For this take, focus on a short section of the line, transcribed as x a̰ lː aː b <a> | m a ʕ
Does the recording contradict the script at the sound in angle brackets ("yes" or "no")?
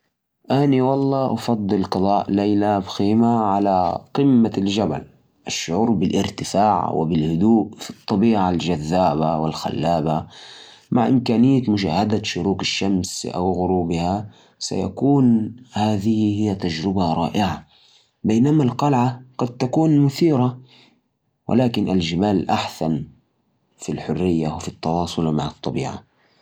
no